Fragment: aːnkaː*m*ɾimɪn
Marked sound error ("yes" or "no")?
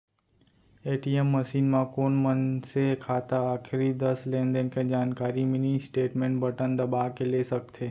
yes